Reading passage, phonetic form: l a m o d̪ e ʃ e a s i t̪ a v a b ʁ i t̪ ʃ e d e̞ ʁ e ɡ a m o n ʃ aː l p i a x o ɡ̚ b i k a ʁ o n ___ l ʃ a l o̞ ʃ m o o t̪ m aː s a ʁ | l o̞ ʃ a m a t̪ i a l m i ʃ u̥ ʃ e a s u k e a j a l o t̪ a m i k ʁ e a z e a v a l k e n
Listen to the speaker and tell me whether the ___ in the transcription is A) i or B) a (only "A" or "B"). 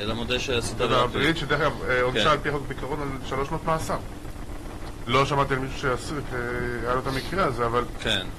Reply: B